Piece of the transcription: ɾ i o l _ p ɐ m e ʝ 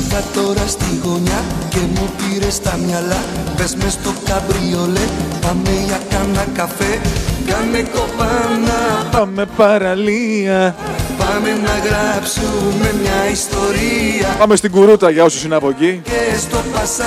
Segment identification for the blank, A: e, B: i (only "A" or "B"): A